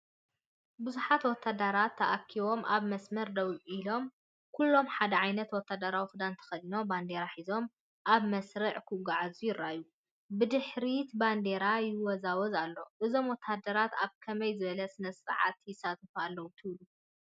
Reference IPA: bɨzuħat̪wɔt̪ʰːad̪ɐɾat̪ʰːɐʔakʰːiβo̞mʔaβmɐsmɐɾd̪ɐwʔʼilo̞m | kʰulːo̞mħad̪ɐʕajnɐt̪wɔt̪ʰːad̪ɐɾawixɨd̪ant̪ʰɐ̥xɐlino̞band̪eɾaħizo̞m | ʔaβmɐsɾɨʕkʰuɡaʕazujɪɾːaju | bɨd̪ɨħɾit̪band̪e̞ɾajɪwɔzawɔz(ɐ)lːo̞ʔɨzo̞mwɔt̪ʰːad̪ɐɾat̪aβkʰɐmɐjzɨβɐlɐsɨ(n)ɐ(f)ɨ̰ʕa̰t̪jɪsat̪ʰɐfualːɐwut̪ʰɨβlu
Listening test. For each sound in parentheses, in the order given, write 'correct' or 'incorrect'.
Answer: incorrect, correct, incorrect

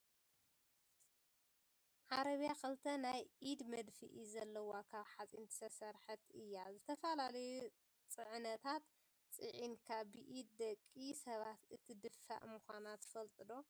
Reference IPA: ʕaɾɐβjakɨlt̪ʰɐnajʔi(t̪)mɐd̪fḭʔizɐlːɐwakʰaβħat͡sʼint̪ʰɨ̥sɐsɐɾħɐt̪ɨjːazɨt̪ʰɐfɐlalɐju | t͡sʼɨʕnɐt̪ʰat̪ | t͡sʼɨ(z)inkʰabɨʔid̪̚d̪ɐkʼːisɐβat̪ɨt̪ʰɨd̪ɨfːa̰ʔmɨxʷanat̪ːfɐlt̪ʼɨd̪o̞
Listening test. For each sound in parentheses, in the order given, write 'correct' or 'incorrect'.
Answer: incorrect, incorrect

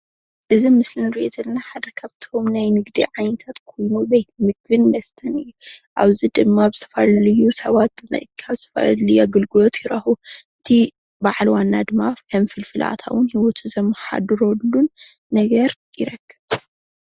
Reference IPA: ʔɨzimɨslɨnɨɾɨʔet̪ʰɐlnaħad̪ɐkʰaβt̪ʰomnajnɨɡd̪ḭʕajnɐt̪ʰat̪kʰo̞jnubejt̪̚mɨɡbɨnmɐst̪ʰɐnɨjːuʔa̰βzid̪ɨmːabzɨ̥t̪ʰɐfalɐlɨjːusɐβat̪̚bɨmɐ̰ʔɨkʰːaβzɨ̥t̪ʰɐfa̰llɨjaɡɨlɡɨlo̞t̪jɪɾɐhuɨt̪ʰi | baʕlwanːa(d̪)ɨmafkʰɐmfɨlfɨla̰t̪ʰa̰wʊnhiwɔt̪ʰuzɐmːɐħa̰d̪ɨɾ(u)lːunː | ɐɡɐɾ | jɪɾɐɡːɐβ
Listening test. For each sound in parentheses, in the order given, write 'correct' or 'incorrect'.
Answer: correct, incorrect

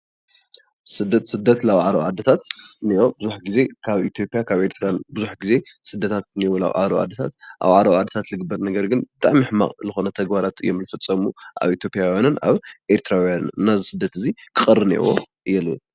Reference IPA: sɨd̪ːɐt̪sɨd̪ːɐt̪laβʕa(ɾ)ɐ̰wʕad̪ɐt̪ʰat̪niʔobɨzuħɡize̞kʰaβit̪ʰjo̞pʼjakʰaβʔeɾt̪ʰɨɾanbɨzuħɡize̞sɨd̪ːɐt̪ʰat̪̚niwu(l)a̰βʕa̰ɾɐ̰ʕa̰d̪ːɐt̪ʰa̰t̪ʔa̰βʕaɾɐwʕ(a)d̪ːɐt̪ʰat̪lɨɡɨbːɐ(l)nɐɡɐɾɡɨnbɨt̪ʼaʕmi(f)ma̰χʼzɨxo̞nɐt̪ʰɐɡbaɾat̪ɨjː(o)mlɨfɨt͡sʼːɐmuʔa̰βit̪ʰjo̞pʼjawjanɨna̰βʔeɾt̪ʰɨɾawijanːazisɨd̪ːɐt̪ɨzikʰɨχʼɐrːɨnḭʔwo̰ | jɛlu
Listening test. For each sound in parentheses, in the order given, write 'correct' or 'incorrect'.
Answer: correct, correct, correct, incorrect, incorrect, correct

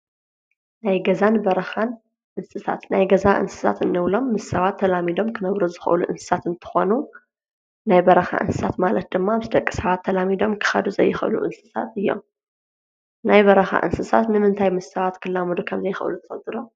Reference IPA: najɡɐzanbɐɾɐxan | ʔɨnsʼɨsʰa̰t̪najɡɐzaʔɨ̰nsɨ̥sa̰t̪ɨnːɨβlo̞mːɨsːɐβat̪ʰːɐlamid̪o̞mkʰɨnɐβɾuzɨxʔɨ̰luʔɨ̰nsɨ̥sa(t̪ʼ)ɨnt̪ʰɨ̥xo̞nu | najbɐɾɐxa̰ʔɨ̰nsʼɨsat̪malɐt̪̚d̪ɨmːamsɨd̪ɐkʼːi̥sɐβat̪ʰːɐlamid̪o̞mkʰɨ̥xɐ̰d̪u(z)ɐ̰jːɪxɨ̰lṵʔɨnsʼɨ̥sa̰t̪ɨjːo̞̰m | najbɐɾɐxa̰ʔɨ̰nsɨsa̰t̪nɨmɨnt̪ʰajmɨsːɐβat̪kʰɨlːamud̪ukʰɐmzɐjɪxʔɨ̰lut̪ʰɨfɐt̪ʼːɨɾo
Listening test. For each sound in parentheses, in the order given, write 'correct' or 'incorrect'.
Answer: incorrect, correct

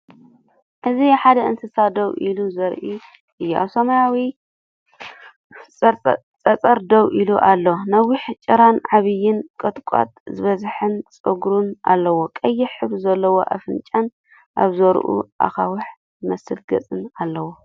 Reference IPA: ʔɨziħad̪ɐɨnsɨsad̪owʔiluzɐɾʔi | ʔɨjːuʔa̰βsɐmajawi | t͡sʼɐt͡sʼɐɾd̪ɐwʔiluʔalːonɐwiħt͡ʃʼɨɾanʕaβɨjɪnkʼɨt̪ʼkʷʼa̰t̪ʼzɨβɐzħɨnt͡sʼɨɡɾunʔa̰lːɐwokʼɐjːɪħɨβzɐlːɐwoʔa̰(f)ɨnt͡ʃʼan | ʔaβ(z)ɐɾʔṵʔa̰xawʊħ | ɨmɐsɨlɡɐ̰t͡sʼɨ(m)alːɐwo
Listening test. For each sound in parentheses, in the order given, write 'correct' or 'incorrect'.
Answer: correct, correct, incorrect

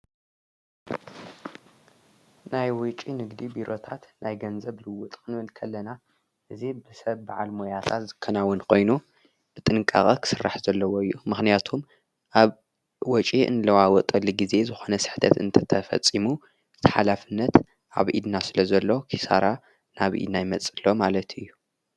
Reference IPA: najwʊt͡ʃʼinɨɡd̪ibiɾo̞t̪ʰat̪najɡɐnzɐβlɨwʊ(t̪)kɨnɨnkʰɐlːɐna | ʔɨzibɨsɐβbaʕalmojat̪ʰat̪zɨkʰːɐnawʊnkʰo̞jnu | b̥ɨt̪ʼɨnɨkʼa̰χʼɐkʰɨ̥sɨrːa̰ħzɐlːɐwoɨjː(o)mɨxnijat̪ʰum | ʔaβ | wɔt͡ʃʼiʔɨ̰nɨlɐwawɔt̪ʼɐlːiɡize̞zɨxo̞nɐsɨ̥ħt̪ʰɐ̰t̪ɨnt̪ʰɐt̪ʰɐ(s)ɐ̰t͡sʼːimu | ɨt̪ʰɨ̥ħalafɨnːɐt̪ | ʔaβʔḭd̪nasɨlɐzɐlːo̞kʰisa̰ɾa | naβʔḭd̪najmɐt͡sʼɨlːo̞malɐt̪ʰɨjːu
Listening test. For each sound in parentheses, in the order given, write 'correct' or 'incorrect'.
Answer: incorrect, incorrect, incorrect

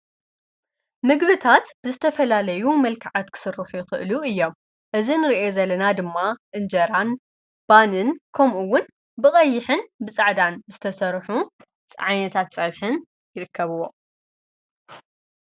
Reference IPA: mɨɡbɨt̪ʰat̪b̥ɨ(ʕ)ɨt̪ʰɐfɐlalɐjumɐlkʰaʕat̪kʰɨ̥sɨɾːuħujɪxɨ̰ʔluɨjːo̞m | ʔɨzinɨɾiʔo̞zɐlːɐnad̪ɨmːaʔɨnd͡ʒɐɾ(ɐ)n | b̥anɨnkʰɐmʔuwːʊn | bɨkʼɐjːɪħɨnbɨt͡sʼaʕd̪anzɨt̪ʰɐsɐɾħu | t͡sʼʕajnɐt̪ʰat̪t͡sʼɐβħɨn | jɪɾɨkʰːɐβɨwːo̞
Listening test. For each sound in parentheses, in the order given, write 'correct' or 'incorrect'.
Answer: incorrect, incorrect

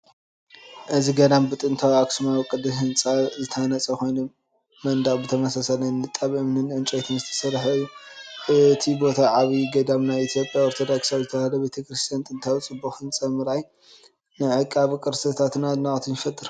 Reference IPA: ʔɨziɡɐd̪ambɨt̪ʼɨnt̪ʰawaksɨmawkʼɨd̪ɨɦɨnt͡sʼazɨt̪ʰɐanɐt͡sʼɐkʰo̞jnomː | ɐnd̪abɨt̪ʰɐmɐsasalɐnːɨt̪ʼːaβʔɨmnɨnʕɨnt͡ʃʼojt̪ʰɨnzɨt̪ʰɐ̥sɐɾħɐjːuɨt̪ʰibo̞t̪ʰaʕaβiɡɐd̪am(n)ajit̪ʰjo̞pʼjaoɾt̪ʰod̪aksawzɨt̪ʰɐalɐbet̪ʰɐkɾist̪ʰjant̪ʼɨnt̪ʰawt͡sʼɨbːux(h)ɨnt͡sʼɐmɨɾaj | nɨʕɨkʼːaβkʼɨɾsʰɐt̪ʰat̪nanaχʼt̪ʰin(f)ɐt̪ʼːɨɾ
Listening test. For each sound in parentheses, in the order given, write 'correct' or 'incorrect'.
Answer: correct, correct, correct

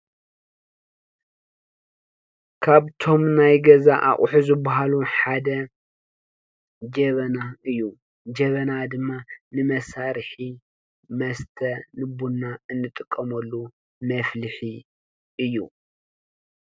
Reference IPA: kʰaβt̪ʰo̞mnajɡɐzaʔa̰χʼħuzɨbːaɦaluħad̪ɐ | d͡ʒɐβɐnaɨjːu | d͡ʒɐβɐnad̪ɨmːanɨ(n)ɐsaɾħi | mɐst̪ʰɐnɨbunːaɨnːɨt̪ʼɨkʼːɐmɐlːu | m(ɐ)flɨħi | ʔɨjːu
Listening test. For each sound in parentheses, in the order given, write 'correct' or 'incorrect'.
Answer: incorrect, correct

